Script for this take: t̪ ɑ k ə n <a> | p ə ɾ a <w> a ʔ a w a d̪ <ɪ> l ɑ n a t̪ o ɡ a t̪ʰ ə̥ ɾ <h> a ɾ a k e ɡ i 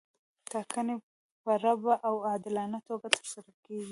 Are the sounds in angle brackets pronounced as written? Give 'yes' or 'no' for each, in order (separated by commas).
no, no, yes, no